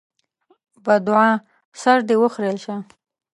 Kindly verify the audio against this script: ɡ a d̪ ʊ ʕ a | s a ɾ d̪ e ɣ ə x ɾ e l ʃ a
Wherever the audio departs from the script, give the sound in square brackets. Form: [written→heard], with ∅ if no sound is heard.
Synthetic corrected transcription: [ɡ→b] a d̪ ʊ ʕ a | s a ɾ d̪ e [ɣ→w] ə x ɾ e l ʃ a